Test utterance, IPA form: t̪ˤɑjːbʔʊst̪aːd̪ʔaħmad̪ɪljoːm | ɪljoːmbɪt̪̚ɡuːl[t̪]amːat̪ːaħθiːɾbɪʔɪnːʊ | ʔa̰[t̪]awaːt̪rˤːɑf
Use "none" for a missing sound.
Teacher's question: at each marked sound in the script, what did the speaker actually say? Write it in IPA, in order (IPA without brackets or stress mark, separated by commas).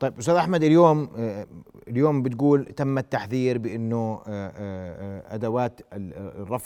t̪, d̪